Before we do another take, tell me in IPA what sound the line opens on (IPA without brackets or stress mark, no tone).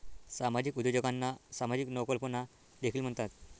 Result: s